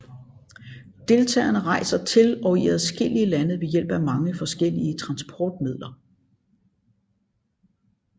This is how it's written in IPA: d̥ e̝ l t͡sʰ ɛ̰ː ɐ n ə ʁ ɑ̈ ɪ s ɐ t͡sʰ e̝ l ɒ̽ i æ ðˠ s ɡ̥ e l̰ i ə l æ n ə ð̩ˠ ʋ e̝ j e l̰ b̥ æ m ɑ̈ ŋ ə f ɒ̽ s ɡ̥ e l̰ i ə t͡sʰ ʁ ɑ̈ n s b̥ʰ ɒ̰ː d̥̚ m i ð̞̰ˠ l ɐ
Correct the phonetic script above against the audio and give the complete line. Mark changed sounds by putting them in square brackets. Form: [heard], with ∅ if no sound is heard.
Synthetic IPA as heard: d̥ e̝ l t͡sʰ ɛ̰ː ɐ n ə ʁ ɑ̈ ɪ s ɐ t͡sʰ e̝ l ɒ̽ i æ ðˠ s ɡ̥ e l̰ i ə l æ n ə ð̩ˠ ʋ e̝ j e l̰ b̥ æ m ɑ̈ ŋ ə f ɒ̽ s ɡ̥ e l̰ i ə t͡sʰ ʁ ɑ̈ n s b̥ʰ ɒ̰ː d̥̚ m i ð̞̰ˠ l ɐ